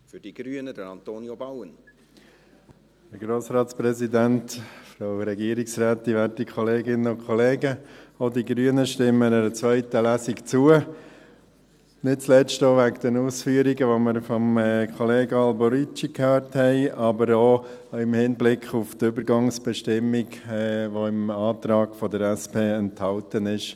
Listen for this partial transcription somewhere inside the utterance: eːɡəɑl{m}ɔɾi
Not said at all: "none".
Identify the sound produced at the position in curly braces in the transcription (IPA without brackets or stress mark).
b